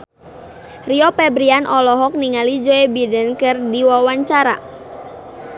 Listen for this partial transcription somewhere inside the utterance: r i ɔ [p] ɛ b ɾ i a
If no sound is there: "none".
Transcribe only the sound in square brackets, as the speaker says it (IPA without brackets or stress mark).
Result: p